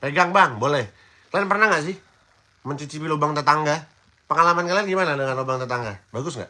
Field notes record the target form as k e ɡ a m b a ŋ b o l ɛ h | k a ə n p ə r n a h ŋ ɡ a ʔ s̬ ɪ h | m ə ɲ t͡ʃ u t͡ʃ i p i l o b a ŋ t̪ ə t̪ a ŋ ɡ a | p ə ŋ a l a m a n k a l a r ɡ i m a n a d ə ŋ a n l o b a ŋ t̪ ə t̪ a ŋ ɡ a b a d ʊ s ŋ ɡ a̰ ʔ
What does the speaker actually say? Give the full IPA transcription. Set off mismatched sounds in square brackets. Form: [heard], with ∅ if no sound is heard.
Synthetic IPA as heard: [p] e ɡ a [ŋ] b a ŋ b o l ɛ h | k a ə n p ə r n a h ŋ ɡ a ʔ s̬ ɪ h | m ə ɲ t͡ʃ u t͡ʃ i p i l o b a ŋ t̪ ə t̪ a ŋ ɡ a | p ə ŋ a l a m a n k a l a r ɡ i m a n a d ə ŋ a n l o b a ŋ t̪ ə t̪ a ŋ ɡ a b a [ɡ] ʊ s ŋ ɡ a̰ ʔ